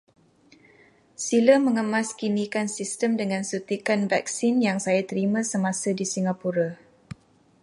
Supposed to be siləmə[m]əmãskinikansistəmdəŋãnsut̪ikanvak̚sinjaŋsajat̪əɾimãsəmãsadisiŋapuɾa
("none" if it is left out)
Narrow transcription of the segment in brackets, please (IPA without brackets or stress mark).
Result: ŋ